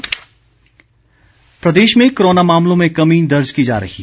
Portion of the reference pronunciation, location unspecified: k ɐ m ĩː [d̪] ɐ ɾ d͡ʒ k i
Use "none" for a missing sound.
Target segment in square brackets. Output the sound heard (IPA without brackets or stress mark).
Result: d̪